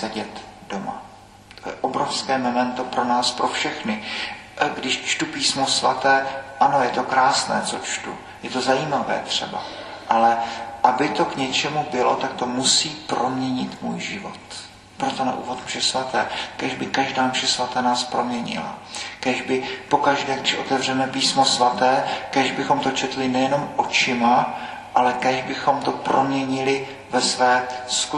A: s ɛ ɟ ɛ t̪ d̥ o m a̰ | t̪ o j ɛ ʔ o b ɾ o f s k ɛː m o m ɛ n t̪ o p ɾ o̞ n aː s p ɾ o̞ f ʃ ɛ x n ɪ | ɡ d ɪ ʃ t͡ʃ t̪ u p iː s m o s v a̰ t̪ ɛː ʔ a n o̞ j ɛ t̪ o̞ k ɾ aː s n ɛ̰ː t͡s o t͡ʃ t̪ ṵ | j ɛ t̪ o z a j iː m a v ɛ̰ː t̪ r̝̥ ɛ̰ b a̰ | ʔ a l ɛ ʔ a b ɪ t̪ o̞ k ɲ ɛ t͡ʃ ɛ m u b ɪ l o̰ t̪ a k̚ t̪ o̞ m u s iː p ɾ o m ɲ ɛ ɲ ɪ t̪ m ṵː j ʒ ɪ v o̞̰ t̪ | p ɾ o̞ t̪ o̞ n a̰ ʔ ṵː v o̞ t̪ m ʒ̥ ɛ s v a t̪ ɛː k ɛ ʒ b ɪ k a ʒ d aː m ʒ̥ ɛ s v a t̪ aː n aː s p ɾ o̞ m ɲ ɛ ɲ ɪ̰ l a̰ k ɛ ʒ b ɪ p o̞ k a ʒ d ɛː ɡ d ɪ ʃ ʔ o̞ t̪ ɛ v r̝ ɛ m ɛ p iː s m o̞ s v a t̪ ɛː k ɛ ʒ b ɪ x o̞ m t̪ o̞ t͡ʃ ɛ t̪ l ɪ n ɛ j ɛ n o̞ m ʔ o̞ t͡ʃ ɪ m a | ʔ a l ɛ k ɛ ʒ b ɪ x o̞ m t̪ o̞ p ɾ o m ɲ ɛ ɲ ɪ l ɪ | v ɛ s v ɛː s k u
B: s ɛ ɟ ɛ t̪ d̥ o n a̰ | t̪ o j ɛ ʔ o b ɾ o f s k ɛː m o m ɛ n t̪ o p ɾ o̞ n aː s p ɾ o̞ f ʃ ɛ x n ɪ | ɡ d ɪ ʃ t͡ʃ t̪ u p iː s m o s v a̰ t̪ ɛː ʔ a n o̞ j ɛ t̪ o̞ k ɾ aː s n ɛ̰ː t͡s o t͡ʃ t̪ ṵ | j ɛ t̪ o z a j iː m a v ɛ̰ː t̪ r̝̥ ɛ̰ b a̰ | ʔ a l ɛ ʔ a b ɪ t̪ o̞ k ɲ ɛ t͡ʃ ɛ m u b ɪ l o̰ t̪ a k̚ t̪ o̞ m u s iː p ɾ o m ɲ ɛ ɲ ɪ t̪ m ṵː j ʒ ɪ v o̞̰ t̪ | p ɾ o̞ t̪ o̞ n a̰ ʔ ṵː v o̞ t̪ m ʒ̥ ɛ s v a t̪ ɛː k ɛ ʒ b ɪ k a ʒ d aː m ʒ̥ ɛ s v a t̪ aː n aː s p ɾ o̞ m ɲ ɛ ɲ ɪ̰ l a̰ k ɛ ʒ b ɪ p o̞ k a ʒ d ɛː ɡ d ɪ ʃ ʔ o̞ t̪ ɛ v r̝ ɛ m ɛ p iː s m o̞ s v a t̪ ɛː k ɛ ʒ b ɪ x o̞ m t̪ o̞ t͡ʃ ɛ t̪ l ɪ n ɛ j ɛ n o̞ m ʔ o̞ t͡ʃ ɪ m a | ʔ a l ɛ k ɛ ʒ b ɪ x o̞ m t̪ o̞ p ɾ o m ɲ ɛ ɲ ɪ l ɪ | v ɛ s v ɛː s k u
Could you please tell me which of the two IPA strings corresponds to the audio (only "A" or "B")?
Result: A